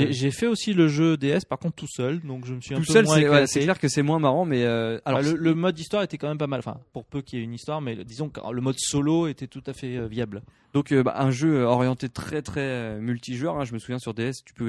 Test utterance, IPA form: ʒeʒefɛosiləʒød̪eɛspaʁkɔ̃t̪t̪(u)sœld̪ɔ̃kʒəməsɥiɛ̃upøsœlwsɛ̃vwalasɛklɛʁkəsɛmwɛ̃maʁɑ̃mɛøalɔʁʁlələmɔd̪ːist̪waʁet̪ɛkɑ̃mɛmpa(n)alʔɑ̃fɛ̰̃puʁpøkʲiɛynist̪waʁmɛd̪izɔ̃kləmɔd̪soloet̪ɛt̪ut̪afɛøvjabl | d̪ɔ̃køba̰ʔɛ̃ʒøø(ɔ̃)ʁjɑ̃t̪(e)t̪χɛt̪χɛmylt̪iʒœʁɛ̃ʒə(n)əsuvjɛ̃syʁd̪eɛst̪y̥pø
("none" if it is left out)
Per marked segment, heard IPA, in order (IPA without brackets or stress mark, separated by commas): u, m, ɔ, e, m